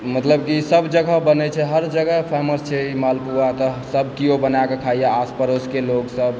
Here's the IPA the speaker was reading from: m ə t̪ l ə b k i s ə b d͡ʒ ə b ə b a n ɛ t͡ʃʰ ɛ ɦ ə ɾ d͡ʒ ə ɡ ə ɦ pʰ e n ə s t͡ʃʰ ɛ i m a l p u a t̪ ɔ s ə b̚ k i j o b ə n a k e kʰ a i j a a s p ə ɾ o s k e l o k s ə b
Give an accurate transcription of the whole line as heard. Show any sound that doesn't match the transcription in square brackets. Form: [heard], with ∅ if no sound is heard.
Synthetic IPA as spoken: m ə t̪ l ə b k i s ə b d͡ʒ ə [ɡ] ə b [ə] n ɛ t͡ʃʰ ɛ ɦ ə ɾ d͡ʒ ə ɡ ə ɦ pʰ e [m] ə s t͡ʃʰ ɛ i m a l p u a t̪ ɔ s ə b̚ k i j o b ə n a k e kʰ a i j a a s p ə ɾ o s k e l o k s ə b